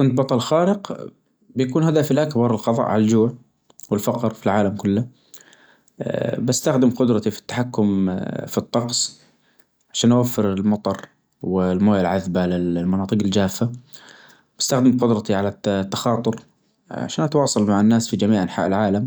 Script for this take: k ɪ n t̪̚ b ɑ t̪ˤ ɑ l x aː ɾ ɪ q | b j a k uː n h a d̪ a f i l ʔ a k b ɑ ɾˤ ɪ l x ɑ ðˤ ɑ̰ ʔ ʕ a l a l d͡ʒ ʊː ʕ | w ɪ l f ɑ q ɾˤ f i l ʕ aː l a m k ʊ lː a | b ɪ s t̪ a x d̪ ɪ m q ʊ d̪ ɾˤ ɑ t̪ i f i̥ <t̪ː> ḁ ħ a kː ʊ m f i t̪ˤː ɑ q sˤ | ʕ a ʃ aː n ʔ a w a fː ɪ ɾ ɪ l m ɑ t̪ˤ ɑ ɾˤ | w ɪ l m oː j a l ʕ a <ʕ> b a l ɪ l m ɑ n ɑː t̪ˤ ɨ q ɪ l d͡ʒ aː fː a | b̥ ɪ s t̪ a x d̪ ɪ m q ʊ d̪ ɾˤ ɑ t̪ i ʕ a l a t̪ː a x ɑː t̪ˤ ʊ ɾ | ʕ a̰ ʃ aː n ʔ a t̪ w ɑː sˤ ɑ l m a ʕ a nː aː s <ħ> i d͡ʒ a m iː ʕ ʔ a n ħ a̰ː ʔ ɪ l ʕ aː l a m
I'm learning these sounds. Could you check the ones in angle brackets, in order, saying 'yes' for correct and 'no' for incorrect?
yes, no, no

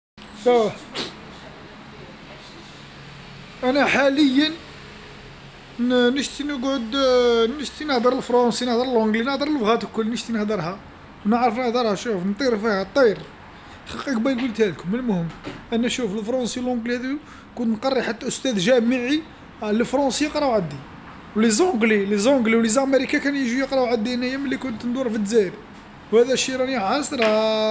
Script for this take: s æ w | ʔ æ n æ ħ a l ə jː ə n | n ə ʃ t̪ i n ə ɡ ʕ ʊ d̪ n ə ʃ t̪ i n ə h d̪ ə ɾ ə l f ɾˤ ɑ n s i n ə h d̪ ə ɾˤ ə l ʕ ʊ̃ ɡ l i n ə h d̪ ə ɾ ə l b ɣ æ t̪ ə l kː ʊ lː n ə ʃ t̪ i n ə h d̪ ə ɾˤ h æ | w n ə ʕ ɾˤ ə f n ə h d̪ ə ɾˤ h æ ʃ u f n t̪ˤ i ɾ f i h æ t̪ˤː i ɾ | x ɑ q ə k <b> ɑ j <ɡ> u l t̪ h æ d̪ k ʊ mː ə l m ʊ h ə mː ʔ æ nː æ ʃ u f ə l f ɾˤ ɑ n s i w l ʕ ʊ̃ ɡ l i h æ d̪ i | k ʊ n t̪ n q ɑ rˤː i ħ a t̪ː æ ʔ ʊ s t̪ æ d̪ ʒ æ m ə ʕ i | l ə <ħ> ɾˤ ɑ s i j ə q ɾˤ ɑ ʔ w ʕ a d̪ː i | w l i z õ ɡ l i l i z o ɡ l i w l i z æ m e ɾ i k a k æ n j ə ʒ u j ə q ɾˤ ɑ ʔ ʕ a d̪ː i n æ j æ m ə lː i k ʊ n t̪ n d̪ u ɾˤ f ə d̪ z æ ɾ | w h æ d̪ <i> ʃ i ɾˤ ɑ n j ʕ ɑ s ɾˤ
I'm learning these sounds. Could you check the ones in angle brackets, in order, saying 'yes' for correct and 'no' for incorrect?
yes, yes, no, no

